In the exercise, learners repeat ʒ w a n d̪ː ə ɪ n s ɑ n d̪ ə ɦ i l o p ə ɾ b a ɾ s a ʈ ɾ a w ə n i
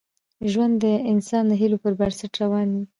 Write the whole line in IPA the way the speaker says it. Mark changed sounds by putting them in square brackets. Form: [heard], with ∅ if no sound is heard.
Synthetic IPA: ʒ w a n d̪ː ə ɪ n s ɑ n d̪ ə ɦ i l o p ə ɾ b a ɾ s a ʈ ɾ a w [ɑ] n i

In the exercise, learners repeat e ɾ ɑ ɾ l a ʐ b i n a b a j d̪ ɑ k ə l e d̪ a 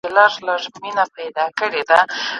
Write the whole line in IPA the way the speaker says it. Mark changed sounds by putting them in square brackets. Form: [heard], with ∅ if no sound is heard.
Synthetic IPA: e [l] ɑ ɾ l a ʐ [m] i n a [p] a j d̪ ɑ k ə [ɽ] e d̪ a

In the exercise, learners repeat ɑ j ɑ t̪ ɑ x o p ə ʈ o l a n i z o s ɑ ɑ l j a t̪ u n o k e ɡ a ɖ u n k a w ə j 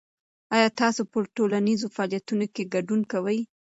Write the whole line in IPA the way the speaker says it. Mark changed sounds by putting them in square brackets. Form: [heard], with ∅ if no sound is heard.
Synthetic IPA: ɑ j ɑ t̪ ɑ [s] o p ə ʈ o l a n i z o [f] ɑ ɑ l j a t̪ u n o k e ɡ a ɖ u n k a w ə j

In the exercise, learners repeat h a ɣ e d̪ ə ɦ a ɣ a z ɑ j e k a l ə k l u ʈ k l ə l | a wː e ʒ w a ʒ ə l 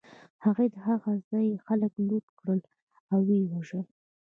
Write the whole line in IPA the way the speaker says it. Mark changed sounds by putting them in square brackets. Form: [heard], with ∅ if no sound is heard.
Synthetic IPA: h a ɣ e d̪ ə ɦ a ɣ a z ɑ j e [x] a l ə k l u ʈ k [ɽ] ə l | a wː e [∅] w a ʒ ə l

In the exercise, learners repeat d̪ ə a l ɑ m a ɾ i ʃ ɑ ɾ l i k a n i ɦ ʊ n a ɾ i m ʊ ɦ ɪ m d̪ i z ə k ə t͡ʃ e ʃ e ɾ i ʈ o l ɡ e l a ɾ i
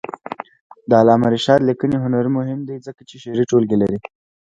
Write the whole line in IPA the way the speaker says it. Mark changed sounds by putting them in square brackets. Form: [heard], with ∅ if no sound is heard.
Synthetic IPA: d̪ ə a l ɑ m a ɾ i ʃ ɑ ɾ l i k [ə] n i ɦ ʊ n a ɾ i m ʊ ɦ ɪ m d̪ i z ə k [a] t͡ʃ e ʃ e ɾ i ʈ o l ɡ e l a ɾ i

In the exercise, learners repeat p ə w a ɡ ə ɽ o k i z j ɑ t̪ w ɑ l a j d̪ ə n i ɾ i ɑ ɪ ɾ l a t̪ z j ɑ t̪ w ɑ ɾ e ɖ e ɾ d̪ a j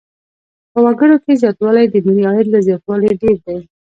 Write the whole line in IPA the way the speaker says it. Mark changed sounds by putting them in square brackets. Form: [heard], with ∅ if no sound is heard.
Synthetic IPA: p ə w a ɡ ə ɽ o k [e] z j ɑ t̪ w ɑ l a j d̪ ə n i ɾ i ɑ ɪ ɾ l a [∅] z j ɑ t̪ w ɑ [l] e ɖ e ɾ d̪ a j

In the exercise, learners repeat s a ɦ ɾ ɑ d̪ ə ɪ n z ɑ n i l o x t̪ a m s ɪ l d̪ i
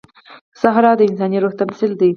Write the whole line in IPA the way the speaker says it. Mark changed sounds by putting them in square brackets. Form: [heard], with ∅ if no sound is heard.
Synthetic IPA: s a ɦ ɾ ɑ d̪ ə ɪ n [s] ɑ n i [ɾ] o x t̪ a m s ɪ l d̪ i

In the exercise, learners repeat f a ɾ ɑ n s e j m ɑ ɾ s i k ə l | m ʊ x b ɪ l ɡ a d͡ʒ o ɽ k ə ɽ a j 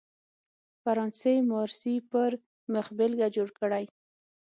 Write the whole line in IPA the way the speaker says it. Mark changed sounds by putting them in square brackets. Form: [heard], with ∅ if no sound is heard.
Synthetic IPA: f a ɾ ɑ n s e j m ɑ ɾ s i [p] ə [ɾ] | m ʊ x b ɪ l ɡ a d͡ʒ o ɽ k ə ɽ a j

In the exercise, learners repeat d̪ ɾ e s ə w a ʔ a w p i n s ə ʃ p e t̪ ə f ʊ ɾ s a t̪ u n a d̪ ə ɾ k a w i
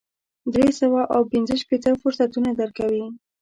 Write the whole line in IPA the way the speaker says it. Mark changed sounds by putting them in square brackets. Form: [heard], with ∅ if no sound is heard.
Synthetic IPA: d̪ ɾ e s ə w a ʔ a w p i n [z] ə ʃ p e t̪ ə f ʊ ɾ s a t̪ u n a d̪ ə ɾ k a w i

